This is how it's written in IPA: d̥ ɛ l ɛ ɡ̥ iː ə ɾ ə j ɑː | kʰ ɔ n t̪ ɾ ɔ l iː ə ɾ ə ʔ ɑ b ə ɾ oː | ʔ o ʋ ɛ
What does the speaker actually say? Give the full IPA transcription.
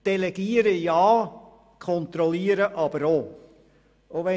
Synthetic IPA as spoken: d̥ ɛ l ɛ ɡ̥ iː ə ɾ ə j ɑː | kʰ ɔ n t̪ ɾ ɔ l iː ə ɾ ə ʔ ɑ b ə ɾ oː | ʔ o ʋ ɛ